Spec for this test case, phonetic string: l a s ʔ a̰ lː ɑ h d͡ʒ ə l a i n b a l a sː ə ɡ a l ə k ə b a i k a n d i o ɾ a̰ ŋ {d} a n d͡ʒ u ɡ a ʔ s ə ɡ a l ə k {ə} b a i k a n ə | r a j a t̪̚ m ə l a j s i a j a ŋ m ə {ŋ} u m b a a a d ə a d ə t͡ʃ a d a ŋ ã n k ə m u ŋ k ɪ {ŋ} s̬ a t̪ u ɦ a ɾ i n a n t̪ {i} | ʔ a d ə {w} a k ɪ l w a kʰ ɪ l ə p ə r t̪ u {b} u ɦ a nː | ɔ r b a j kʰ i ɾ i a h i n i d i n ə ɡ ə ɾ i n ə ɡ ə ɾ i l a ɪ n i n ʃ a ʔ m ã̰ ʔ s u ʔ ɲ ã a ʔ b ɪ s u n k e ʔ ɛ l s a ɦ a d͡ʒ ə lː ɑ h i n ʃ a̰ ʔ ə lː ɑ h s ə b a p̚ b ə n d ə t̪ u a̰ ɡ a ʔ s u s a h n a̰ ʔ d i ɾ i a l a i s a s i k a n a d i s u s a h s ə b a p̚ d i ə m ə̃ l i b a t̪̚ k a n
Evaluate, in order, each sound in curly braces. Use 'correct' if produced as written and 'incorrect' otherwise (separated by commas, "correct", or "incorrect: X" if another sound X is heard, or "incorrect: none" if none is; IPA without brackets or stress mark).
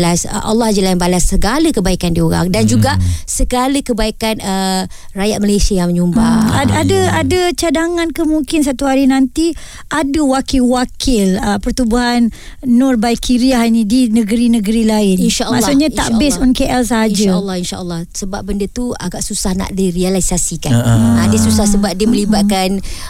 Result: correct, correct, incorrect: ɲ, incorrect: n, correct, correct, correct